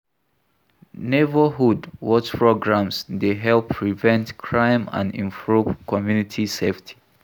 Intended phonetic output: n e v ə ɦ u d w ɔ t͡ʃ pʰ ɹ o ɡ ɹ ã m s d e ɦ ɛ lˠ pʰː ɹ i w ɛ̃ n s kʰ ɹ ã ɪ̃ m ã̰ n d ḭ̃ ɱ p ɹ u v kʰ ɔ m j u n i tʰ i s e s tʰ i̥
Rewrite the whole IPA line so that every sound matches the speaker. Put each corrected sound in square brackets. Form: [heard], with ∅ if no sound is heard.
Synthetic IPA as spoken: n e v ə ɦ u d w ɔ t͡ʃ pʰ ɹ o ɡ ɹ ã m s d e ɦ ɛ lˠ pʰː ɹ i [v] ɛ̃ n [t] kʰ ɹ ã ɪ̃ m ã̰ n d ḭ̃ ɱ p ɹ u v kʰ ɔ m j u n i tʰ i s e [f] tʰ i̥